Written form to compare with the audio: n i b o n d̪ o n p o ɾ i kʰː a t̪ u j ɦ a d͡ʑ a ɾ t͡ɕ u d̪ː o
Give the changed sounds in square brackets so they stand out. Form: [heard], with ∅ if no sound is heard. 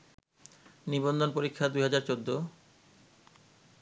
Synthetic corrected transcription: n i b o n d̪ o n p o ɾ i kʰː a [d̪] u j ɦ a d͡ʑ a ɾ t͡ɕ [o] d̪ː o